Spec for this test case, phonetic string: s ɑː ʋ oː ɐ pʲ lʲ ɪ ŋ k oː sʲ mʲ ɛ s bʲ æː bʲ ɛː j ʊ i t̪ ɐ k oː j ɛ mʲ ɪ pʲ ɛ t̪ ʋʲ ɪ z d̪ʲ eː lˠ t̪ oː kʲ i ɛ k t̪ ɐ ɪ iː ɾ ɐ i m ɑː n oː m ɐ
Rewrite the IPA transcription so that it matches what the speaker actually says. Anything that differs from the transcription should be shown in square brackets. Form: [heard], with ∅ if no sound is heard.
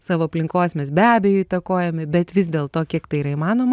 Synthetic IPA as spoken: s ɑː ʋ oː ɐ pʲ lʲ ɪ ŋ k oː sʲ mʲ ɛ s bʲ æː bʲ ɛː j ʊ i t̪ ɐ k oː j ɛ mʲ ɪ [bʲ] ɛ t̪ ʋʲ ɪ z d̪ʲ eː lˠ t̪ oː kʲ i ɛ k t̪ ɐ ɪ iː ɾ ɐ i m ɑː n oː m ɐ